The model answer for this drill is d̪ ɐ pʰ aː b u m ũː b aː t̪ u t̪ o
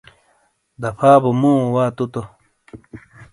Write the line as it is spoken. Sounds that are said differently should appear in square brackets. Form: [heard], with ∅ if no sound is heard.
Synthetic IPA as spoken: d̪ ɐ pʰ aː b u m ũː [w] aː t̪ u t̪ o